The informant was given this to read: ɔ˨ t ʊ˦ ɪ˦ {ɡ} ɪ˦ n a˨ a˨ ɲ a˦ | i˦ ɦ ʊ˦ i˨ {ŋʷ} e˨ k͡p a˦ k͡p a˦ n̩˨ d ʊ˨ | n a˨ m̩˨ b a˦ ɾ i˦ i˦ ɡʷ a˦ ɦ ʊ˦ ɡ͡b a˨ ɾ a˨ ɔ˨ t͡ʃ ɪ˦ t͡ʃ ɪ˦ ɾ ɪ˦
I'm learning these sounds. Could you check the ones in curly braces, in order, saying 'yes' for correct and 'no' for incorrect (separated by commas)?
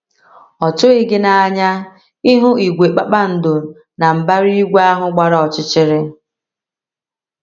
yes, no